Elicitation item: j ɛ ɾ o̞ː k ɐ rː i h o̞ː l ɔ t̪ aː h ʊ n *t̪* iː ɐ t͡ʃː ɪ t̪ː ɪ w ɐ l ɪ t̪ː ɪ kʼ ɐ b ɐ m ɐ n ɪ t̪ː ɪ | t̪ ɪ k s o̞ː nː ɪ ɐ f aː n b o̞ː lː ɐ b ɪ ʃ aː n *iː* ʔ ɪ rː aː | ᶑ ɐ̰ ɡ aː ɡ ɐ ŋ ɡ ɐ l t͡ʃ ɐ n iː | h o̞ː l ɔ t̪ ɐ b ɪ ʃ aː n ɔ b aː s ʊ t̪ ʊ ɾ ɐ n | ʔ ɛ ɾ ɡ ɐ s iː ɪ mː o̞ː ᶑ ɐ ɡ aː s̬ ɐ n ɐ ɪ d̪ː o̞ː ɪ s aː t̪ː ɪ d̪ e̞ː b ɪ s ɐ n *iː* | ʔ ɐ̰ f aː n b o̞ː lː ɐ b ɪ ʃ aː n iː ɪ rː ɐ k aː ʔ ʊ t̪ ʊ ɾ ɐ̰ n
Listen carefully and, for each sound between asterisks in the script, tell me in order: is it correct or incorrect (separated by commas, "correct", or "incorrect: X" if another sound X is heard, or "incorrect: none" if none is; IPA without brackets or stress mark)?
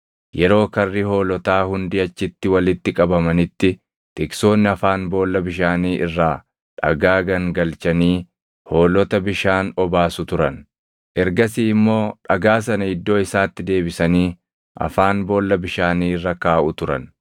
incorrect: d̪, correct, correct